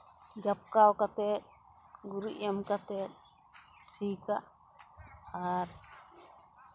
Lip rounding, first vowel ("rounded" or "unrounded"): unrounded